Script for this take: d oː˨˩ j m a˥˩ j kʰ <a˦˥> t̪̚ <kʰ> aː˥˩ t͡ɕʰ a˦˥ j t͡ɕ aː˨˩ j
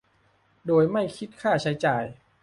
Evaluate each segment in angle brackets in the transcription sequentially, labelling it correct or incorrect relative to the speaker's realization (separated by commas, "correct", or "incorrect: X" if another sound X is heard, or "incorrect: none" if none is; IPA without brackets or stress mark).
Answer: incorrect: i˦˥, correct